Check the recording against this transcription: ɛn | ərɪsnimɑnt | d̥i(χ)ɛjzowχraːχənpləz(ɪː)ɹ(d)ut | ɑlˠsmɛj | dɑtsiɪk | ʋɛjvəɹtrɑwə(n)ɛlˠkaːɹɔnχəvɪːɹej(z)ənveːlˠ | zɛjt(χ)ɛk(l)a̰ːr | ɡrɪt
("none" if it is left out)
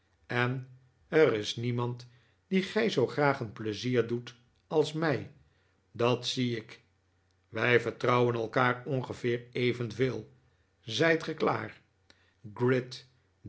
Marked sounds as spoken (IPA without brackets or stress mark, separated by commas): χ, iː, d, n, v, χ, l